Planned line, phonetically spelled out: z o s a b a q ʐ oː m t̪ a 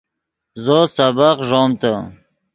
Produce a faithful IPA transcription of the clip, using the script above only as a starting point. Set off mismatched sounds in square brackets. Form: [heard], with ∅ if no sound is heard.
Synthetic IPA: z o s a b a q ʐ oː m t̪ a